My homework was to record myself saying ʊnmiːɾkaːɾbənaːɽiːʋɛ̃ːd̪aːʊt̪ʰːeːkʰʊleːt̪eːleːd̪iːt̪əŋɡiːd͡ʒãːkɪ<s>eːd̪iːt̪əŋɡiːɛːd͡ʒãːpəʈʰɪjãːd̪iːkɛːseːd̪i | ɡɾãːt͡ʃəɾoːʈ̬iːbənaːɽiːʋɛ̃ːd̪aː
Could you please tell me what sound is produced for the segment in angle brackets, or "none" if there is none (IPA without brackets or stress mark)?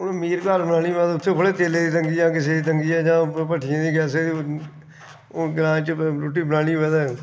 s